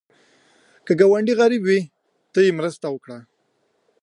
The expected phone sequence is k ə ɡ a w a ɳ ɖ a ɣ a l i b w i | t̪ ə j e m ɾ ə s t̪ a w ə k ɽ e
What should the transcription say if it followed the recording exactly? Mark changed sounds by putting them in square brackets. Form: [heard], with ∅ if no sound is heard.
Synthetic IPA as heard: k ə ɡ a w a ɳ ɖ [i] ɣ a [ɾ] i b w i | t̪ ə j e m ɾ ə s t̪ a w ə k ɽ [a]